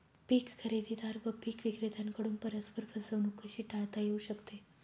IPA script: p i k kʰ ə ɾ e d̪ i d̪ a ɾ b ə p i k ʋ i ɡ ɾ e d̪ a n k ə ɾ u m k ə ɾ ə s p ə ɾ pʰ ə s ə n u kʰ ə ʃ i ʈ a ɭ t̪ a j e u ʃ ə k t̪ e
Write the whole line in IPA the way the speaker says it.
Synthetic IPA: p i k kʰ ə ɾ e d̪ i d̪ a ɾ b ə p i k ʋ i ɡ ɾ e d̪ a n k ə ɽ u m p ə ɾ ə s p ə ɾ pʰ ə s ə n u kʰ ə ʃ i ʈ a ɭ t̪ a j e u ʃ ə k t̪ e